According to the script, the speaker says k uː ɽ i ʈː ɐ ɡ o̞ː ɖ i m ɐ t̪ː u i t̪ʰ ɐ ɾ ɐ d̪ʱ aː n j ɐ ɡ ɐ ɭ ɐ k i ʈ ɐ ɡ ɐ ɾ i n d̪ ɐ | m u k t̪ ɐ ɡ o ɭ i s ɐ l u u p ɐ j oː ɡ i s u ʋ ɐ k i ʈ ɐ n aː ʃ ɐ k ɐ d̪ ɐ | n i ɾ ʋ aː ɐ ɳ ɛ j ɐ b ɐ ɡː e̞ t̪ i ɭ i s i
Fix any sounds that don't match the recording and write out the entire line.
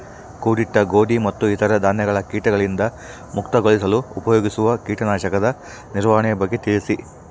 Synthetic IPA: k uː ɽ i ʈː ɐ ɡ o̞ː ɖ i m ɐ t̪ː u i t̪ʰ ɐ ɾ ɐ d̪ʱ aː n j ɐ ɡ ɐ ɭ ɐ k iː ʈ ɐ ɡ ɐ ɭ i n d̪ ɐ | m u k t̪ ɐ ɡ o ɭ i s ɐ l u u p ɐ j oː ɡ i s u ʋ ɐ k iː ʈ ɐ n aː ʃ ɐ k ɐ d̪ ɐ | n i ɾ ʋ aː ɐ ɳ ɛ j ɐ b ɐ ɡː e̞ t̪ i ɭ i s i

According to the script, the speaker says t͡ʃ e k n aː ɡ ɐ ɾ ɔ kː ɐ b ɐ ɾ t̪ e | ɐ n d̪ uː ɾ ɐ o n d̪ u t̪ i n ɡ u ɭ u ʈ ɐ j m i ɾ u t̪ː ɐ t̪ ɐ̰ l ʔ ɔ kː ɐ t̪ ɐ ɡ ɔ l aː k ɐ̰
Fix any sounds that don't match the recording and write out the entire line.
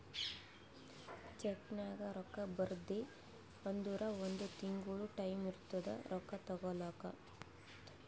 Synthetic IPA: t͡ʃ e k n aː ɡ ɐ ɾ ɔ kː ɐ b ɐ ɾ d̪ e | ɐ n d̪ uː ɾ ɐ o n d̪ u t̪ i ŋ ɡ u ɭ u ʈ ɐ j m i ɾ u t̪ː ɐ d̪ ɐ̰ ɾ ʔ ɔ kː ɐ t̪ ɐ ɡ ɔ l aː k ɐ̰

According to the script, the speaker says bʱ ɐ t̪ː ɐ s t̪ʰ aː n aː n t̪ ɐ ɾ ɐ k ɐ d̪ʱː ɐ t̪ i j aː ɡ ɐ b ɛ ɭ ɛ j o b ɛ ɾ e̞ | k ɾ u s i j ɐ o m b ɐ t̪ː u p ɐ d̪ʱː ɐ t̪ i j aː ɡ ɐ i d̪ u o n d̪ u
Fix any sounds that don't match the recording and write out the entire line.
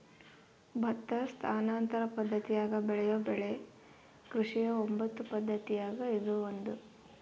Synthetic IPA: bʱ ɐ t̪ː ɐ s t̪ʰ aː n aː n t̪ ɐ ɾ ɐ p ɐ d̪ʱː ɐ t̪ i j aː ɡ ɐ b ɛ ɭ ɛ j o b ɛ ɭ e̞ | k ɾ u ʂ i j ɐ o m b ɐ t̪ː u p ɐ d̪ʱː ɐ t̪ i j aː ɡ ɐ i d̪ u o n d̪ u

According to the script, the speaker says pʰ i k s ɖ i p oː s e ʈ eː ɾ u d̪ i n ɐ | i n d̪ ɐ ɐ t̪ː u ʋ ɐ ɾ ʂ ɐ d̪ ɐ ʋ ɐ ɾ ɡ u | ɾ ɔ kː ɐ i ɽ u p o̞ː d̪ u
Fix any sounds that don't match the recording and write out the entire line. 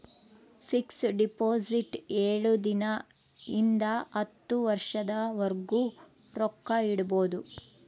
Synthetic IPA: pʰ i k s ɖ i p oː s i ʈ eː ɭ u d̪ i n ɐ | i n d̪ ɐ ɐ t̪ː u ʋ ɐ ɾ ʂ ɐ d̪ ɐ ʋ ɐ ɾ ɡ u | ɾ ɔ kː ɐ i ɽ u b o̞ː d̪ u

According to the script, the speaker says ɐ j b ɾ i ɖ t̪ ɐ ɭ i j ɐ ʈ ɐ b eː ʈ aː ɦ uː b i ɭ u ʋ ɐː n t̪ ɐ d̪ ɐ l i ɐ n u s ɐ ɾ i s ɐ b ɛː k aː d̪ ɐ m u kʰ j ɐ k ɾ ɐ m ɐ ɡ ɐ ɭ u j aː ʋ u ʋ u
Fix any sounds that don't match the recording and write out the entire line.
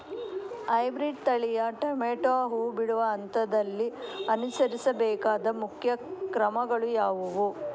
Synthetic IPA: ɐ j b ɾ i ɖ t̪ ɐ ɭ i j ɐ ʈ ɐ m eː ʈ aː ɦ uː b i ɽ u ʋ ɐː n t̪ ɐ d̪ ɐ lː i ɐ n u s ɐ ɾ i s ɐ b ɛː k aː d̪ ɐ m u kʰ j ɐ k ɾ ɐ m ɐ ɡ ɐ ɭ u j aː ʋ u ʋ u

